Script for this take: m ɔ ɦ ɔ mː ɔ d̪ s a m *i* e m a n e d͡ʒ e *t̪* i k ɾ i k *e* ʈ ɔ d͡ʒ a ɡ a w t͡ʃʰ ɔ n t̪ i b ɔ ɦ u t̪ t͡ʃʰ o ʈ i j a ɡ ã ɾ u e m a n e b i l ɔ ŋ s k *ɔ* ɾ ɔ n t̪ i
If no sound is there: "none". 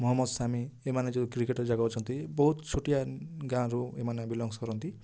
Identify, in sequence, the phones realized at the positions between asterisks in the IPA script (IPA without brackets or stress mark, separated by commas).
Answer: i, d̪, e, ɔ